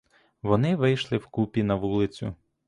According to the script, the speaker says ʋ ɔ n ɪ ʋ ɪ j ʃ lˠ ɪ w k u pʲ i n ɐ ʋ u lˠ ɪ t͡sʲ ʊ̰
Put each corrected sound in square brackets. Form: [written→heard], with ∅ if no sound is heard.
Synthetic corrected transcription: ʋ ɔ n ɪ ʋ ɪ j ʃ lˠ ɪ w k u pʲ i n ɐ ʋ u lˠ ɪ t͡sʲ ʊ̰